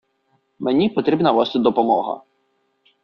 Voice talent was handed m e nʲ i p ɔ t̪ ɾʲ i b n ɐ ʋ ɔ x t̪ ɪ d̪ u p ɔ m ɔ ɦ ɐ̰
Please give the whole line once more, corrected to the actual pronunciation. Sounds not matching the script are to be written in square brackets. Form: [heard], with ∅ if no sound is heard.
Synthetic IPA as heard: m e nʲ i p ɔ t̪ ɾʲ i b n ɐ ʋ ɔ [s] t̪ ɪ d̪ [ɔ] p ɔ m ɔ ɦ ɐ̰